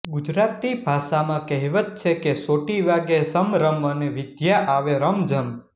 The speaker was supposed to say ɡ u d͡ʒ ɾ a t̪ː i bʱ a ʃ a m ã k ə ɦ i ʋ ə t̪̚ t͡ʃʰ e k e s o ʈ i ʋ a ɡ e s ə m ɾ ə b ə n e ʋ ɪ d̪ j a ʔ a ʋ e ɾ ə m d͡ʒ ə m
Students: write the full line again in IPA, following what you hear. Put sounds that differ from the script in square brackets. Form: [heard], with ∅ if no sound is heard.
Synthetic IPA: ɡ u d͡ʒ ɾ a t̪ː i bʱ a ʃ a m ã k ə ɦ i ʋ ə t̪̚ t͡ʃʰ e k e s o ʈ i ʋ a ɡ e s ə m ɾ ə [m] ə n e ʋ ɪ d̪ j a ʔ a ʋ e ɾ ə m d͡ʒ ə m

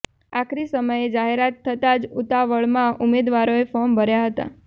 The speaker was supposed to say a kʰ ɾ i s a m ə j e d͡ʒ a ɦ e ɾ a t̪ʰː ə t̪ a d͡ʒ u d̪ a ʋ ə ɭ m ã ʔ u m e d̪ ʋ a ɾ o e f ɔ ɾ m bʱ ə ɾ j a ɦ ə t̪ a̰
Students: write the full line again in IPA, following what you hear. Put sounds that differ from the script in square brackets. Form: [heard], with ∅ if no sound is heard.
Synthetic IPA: a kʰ ɾ i s [ə] m ə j e d͡ʒ a ɦ e ɾ a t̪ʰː ə t̪ a d͡ʒ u [t̪] a ʋ ə ɭ m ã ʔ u m e d̪ ʋ a ɾ o e f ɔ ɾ m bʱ ə ɾ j a ɦ ə t̪ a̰

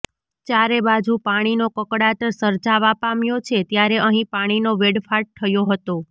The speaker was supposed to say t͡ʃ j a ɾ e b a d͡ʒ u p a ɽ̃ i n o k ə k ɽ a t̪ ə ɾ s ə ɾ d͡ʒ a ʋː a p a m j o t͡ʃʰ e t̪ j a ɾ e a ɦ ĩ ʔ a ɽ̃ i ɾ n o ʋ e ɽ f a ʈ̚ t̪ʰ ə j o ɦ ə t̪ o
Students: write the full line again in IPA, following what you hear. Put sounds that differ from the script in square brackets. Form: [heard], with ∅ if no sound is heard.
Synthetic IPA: t͡ʃ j a ɾ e b a d͡ʒ u p a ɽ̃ i n o k ə k ɽ a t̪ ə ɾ s ə ɾ d͡ʒ a [ʋ] a p a m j o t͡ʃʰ e t̪ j a ɾ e [ə] ɦ ĩ [p] a ɽ̃ i [∅] n o ʋ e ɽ f a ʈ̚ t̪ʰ ə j o ɦ ə t̪ o

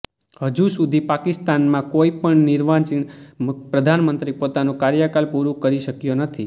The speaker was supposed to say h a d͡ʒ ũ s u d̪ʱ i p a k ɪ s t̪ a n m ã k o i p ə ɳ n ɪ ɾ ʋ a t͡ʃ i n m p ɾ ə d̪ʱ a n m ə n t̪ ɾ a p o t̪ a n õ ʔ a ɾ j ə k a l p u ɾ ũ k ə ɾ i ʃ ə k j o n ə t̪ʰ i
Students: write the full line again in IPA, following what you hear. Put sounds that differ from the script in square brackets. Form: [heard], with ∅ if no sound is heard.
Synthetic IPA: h [ə] d͡ʒ [u] s u d̪ʱ i p a k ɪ s t̪ a n m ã k o i p ə ɳ n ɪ ɾ ʋ a t͡ʃ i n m p ɾ ə d̪ʱ a n m ə n t̪ ɾ [i] p o t̪ a n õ [k] a ɾ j ə k a l p u ɾ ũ k ə ɾ i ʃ ə k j o n ə t̪ʰ i

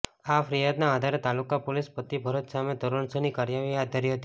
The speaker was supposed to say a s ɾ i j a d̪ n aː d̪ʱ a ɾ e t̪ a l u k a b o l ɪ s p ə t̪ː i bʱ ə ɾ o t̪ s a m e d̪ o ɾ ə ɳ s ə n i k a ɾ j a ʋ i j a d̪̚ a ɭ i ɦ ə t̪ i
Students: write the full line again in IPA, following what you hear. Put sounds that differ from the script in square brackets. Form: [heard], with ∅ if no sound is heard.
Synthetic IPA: a [f] ɾ i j a d̪ n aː d̪ʱ a ɾ e t̪ a l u k a [p] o l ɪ s p ə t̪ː i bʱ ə ɾ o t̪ s a m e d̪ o ɾ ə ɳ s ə n i k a ɾ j a ʋ i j a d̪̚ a [ɾ] i ɦ ə t̪ i

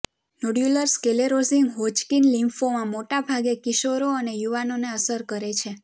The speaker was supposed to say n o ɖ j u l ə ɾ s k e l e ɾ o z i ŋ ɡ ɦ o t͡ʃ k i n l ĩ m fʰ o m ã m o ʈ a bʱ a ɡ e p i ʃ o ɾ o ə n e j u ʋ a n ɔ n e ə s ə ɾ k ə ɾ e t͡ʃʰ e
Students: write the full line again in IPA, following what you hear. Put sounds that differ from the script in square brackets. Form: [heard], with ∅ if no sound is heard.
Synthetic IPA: n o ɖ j u l ə ɾ s k e l e ɾ o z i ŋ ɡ ɦ o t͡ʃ k i n l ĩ m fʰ o m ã m o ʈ a bʱ a ɡ e [k] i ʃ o ɾ o ə n e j u ʋ a n [o] n e ə s ə ɾ k ə ɾ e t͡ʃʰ e

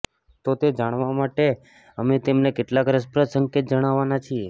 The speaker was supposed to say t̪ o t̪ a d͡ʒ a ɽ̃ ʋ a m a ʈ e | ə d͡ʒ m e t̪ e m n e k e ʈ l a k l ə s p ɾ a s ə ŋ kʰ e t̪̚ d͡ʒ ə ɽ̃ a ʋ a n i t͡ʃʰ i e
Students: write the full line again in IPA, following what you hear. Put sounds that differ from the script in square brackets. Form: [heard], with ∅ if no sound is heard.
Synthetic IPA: t̪ o t̪ [e] d͡ʒ a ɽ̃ ʋ a m a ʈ e | ə [∅] m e t̪ e m n e k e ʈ l a k [ɾ] ə s p ɾ [ə] s ə ŋ [k] e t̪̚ d͡ʒ ə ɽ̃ a ʋ a n [a] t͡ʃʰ i e

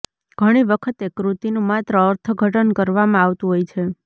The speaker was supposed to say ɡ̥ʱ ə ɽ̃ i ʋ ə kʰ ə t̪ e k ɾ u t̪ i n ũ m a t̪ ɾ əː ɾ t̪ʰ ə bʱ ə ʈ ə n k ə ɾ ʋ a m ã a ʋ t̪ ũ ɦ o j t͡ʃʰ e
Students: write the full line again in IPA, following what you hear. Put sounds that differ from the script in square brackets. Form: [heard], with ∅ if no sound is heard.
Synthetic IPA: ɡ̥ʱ ə ɽ̃ i ʋ ə kʰ ə t̪ e k ɾ u t̪ i n ũ m a t̪ ɾ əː ɾ t̪ʰ ə [ɡʱ] ə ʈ ə n k ə ɾ ʋ a m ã a ʋ t̪ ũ ɦ o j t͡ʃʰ e

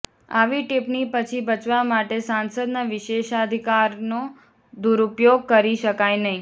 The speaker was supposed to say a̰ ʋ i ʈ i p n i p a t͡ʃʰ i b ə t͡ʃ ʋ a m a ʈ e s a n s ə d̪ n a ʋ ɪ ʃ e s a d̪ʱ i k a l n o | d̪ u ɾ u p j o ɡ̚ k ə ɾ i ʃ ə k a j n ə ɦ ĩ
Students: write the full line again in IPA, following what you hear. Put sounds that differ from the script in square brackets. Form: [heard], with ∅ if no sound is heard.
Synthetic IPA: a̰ ʋ i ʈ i p n i p [ə] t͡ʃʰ i b ə t͡ʃ ʋ a m a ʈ e s a n s ə d̪ n a ʋ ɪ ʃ e [ʃ] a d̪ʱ i k a [ɾ] n o | d̪ u ɾ u p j o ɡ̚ k ə ɾ i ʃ ə k a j n ə ɦ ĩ

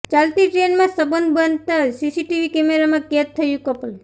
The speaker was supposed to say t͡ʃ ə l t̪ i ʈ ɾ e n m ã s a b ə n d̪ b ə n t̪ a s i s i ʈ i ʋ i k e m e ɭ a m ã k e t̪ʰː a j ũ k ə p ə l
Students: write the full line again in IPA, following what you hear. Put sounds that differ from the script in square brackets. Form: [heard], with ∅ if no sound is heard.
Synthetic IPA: t͡ʃ [a] l t̪ i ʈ ɾ e n m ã s [ə] b ə n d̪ b ə n t̪ a s i s i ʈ i ʋ i k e m e [ɾ] a m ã k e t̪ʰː [ə] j ũ k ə p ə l

